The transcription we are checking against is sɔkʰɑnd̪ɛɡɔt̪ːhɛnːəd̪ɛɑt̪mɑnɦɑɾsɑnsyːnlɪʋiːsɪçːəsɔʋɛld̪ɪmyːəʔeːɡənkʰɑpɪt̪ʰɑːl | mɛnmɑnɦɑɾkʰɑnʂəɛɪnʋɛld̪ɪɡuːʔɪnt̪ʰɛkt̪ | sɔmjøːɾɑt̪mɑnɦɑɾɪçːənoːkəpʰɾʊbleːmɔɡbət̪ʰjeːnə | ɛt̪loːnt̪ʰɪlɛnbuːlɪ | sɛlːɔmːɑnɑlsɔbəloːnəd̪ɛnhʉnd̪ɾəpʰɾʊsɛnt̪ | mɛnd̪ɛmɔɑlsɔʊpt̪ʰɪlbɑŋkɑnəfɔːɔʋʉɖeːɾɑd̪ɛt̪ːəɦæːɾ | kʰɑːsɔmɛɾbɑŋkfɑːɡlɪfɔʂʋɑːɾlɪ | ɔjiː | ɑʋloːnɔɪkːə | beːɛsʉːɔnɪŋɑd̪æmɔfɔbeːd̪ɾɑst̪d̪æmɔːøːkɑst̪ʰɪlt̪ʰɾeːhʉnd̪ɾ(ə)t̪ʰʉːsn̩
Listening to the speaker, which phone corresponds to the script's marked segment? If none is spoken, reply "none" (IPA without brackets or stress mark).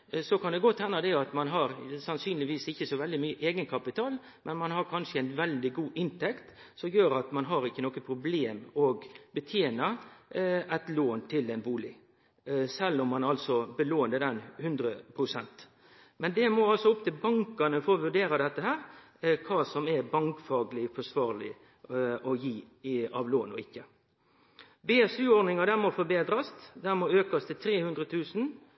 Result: ə